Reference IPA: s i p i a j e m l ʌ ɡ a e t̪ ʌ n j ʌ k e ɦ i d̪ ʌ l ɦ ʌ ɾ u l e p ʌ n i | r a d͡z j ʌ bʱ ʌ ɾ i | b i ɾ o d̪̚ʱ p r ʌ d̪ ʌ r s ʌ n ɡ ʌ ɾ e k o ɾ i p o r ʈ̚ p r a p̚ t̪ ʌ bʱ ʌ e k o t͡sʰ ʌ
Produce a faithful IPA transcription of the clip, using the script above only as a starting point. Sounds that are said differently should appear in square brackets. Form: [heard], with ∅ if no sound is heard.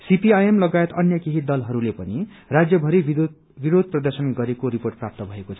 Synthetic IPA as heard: s i p i a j e m l ʌ ɡ a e t̪ ʌ n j ʌ k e ɦ i d̪ ʌ l ɦ ʌ ɾ u l e p ʌ n i | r a d͡z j ʌ bʱ ʌ ɾ i | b i ɾ o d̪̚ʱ p r ʌ d̪ ʌ r s ʌ n ɡ ʌ ɾ e k o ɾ i p o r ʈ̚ p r a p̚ t̪ ʌ bʱ ʌ e k o t͡sʰ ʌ

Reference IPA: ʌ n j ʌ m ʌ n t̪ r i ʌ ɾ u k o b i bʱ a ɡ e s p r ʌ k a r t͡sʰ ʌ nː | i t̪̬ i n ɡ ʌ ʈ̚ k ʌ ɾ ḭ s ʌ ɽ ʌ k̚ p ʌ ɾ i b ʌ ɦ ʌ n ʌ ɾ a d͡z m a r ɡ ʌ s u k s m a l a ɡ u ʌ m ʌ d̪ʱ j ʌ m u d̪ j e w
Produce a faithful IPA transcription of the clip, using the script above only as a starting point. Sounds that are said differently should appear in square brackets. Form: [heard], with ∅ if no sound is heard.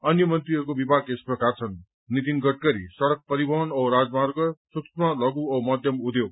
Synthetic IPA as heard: ʌ n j ʌ m ʌ n t̪ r i ʌ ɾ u k o b i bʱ a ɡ e s p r ʌ k a r t͡sʰ ʌ nː | i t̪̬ i n ɡ ʌ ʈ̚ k ʌ ɾ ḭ s ʌ ɽ ʌ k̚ p ʌ ɾ i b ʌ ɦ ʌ n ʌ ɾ a d͡z m a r ɡ ʌ s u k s m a l [ʌ] ɡ u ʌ m ʌ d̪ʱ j ʌ m u d̪ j e w

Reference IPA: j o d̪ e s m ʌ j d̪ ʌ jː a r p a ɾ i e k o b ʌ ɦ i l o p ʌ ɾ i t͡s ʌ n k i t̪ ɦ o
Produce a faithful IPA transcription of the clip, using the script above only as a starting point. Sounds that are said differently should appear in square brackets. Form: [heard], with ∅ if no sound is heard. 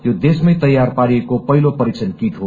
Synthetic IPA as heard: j o d̪ e s m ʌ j [t̪] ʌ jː a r p a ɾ i e k o [p] ʌ ɦ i l o p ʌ ɾ i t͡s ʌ n k i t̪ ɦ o

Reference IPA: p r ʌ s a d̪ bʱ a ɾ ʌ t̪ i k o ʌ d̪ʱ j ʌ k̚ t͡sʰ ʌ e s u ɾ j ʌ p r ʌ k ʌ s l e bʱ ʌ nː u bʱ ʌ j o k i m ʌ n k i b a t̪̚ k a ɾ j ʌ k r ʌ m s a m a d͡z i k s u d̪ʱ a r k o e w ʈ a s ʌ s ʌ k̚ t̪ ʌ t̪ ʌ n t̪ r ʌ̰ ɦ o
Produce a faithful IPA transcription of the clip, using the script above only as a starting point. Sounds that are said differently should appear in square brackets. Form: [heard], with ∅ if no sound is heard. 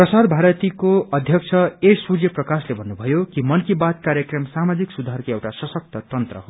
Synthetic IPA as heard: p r ʌ s a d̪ bʱ a ɾ ʌ t̪ i k o ʌ d̪ʱ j ʌ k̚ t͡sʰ ʌ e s u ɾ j ʌ p r ʌ k [a] s l e bʱ ʌ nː u bʱ ʌ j o k i m ʌ n k i b a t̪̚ k a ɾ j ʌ k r ʌ m s a m a d͡z i k s u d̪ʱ a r k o e w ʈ a s ʌ s ʌ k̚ t̪ ʌ t̪ ʌ n t̪ r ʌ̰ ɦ o

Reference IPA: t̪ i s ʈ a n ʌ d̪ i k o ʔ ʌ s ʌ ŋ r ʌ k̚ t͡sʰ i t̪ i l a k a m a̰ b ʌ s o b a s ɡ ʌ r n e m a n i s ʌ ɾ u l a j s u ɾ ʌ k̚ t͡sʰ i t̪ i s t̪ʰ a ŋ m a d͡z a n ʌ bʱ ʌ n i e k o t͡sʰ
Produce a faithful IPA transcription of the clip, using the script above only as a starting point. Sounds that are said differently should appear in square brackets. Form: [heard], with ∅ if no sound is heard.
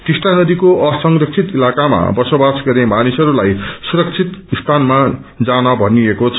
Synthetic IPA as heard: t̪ i s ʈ a n ʌ d̪ i k o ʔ ʌ s ʌ ŋ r ʌ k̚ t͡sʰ i t̪ i l a k a m a̰ b ʌ s o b a s ɡ ʌ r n e m a n i s ʌ ɾ u l a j s u ɾ ʌ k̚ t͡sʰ i t̪ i s t̪ʰ a [n] m a d͡z a n ʌ bʱ ʌ n i e k o t͡sʰ

